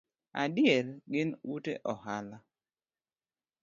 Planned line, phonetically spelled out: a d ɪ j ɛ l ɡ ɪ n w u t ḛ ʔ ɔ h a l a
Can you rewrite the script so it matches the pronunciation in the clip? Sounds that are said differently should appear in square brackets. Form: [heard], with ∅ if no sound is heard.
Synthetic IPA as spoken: a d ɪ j ɛ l ɡ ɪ n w u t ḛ ʔ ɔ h a l a